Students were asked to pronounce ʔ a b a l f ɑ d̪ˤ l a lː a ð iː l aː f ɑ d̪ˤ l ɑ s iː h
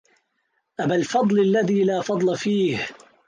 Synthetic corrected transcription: ʔ a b a l f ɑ d̪ˤ l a lː a ð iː l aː f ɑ d̪ˤ l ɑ f iː h